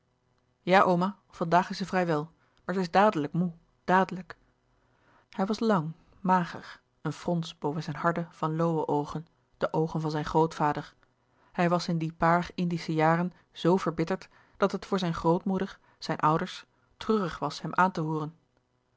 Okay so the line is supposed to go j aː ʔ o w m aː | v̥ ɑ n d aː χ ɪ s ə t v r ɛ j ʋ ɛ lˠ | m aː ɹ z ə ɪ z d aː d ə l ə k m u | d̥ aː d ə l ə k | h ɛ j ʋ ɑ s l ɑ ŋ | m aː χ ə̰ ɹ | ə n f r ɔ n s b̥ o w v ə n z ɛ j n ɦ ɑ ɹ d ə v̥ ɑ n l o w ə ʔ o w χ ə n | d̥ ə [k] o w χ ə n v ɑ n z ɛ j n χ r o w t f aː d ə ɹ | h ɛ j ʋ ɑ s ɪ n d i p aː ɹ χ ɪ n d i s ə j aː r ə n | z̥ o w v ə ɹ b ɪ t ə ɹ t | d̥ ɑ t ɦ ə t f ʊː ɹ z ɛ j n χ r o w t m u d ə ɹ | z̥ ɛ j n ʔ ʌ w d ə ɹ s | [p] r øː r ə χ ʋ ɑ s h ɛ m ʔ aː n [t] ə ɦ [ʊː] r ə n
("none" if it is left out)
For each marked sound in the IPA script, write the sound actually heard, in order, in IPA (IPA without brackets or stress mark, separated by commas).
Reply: ʔ, t, t, uː